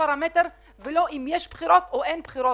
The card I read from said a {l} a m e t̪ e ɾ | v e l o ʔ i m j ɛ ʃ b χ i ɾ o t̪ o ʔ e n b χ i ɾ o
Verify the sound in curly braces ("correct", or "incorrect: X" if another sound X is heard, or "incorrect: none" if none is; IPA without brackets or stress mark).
incorrect: ɾ